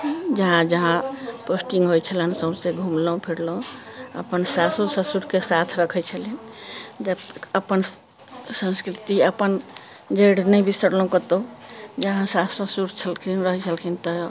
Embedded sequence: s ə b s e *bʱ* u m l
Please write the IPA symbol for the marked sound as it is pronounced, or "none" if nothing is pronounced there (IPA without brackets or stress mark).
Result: ɡʱ